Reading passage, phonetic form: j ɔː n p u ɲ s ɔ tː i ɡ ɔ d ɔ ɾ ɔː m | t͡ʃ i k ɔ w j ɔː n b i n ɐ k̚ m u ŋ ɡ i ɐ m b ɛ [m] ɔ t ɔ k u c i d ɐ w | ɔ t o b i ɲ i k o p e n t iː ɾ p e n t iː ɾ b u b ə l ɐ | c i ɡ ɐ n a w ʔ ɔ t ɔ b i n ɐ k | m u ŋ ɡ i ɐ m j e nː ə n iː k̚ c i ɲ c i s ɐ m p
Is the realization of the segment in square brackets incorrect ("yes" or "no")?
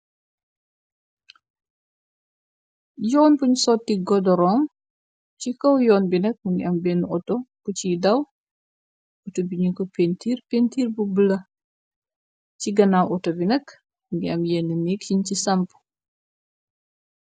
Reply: yes